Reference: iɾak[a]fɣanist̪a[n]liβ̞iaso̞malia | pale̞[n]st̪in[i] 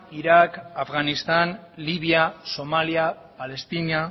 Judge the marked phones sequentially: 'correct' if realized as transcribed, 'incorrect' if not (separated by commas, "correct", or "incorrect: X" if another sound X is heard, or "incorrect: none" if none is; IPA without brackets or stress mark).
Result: correct, correct, incorrect: none, incorrect: a